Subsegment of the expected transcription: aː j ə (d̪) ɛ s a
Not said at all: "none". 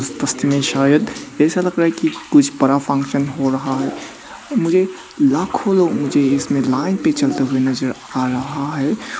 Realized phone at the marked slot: d̪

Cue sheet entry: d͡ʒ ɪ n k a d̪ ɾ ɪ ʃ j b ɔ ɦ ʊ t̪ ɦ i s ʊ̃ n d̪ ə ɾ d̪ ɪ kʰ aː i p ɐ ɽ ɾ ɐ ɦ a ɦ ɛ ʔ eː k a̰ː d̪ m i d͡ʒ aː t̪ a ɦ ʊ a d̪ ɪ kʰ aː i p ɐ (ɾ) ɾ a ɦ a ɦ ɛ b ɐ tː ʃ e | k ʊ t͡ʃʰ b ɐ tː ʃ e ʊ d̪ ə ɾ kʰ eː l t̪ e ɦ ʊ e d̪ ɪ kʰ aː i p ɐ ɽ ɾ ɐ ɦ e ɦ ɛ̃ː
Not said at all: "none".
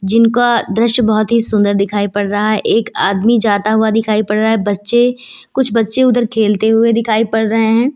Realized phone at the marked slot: ɽ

